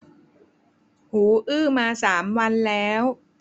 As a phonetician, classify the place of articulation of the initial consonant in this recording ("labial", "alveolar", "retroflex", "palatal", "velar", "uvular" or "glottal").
glottal